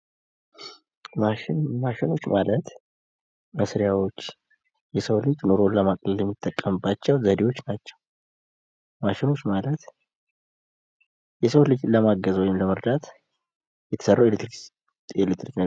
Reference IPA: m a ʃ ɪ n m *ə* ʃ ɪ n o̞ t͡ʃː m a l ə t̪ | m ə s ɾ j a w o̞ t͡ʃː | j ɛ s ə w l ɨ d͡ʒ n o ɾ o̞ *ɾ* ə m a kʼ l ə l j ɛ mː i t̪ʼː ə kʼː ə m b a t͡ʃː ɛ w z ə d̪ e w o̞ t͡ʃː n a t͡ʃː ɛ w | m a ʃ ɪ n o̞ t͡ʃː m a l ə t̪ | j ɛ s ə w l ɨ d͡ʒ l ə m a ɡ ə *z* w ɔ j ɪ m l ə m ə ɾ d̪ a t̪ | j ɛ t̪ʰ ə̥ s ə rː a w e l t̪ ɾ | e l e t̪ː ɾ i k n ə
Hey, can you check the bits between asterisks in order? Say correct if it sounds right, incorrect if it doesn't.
incorrect, incorrect, correct

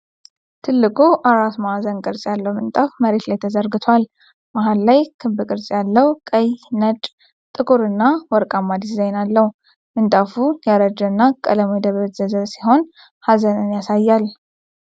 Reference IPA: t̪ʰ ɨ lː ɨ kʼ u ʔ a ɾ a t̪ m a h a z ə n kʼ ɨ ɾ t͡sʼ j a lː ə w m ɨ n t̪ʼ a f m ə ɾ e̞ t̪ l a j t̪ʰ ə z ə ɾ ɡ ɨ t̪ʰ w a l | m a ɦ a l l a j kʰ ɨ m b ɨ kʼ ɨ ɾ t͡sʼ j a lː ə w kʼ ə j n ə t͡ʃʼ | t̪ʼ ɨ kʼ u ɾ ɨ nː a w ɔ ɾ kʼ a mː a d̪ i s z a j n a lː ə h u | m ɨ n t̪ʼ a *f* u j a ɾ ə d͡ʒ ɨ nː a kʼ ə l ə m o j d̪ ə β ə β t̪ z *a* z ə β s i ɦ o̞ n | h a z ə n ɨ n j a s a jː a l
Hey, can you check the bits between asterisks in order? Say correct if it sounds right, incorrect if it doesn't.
correct, incorrect

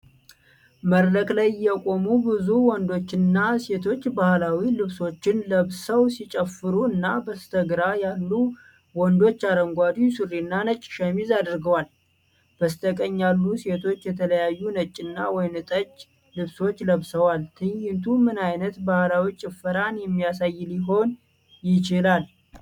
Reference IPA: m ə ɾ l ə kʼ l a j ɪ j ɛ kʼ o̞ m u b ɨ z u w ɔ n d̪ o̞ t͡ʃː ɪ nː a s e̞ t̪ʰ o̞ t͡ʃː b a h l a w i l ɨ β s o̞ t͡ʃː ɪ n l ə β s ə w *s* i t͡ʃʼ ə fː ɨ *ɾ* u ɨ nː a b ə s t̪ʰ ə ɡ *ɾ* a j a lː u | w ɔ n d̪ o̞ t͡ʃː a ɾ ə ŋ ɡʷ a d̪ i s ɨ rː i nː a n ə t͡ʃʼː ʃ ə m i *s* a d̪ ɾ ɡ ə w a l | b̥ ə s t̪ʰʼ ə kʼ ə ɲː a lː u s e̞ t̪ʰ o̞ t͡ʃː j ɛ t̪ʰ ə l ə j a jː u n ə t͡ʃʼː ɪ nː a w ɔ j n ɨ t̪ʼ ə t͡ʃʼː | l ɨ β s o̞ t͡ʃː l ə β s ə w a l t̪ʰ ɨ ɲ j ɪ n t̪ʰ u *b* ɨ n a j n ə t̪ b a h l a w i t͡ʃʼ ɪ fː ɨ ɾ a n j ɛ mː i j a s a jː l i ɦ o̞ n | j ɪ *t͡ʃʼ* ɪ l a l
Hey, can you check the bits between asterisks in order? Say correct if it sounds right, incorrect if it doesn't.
correct, correct, correct, incorrect, incorrect, incorrect

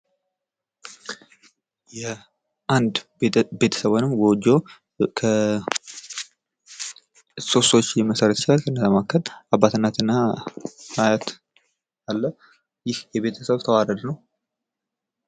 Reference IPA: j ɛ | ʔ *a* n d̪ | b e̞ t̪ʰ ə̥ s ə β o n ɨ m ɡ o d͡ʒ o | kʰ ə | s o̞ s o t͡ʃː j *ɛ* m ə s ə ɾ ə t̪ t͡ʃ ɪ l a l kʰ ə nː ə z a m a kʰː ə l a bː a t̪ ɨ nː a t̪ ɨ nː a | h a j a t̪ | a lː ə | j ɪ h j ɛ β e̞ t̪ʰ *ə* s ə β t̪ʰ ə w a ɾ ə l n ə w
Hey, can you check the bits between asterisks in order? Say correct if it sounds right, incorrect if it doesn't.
correct, correct, correct

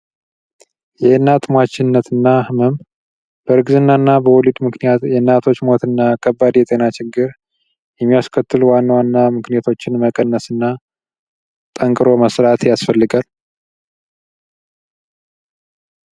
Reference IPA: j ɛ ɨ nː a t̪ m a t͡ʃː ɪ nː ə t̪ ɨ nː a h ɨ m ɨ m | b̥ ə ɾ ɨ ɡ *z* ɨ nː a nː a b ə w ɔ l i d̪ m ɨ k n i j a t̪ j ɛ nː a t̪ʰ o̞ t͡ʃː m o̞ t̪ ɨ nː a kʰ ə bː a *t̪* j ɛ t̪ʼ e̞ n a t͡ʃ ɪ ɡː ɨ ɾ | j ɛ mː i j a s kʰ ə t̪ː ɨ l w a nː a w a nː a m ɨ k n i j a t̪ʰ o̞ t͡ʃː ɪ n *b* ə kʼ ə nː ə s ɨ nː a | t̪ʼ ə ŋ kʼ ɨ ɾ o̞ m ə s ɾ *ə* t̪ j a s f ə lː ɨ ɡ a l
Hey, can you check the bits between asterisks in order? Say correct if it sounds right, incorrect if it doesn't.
correct, incorrect, incorrect, incorrect

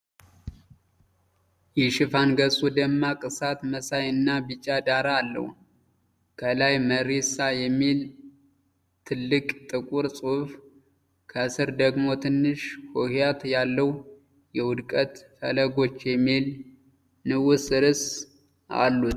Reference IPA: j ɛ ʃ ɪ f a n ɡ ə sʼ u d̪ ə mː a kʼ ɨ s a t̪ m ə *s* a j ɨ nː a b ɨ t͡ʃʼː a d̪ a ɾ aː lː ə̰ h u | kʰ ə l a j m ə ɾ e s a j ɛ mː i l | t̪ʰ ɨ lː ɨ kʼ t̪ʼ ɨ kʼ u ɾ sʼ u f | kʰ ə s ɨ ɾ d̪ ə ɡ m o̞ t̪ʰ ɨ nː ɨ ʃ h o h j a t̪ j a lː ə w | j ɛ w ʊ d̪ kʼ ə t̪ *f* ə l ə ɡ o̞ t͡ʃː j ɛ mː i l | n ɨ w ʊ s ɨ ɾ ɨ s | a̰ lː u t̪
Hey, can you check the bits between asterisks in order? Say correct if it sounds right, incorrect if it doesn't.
correct, correct

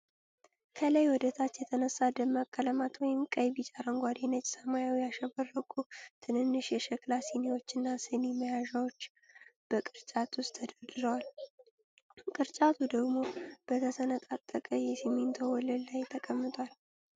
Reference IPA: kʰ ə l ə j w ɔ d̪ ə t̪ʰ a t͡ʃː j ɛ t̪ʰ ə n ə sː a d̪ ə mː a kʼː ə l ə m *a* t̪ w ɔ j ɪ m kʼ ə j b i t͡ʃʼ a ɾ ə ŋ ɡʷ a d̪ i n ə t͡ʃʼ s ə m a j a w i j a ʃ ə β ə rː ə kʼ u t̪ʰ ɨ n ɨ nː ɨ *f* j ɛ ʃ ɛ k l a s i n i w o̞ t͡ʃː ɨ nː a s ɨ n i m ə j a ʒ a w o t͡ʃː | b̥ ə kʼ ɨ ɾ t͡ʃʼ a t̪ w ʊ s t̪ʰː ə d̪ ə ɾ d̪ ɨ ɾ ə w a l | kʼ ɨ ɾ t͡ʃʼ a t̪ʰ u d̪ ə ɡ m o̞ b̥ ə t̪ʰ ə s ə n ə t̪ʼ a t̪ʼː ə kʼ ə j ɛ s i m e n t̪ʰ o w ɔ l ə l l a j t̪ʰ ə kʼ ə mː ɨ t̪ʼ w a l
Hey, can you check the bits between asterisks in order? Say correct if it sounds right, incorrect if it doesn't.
correct, incorrect

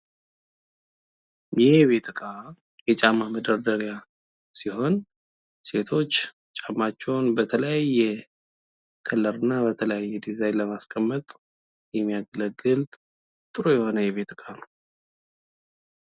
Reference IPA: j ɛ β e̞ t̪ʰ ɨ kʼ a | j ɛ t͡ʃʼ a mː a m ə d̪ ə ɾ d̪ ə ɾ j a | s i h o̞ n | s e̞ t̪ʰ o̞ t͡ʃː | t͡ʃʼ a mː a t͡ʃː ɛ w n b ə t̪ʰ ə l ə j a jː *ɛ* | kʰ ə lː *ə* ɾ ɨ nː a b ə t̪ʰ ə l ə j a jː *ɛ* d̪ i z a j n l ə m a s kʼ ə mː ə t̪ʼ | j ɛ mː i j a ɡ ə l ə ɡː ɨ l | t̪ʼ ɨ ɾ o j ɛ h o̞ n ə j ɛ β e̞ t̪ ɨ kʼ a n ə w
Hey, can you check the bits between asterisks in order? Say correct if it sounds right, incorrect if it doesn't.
correct, correct, correct

